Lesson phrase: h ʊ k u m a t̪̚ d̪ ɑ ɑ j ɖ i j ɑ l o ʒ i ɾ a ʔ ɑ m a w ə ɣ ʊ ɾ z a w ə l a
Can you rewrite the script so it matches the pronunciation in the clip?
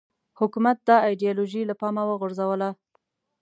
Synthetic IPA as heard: h ʊ k u m a t̪̚ d̪ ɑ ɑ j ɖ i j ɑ l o ʒ i l a p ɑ m a w ə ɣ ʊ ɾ z a w ə l a